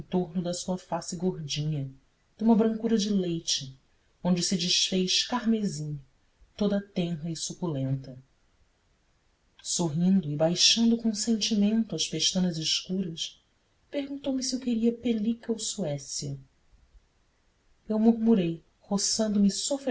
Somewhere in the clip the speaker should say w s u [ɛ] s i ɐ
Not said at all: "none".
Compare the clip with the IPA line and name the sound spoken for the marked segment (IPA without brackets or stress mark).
ɛ